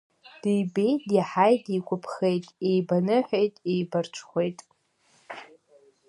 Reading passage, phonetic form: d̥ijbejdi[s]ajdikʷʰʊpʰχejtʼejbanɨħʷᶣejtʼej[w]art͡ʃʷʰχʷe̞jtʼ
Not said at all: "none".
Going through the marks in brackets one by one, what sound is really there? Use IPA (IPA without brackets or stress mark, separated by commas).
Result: ħ, b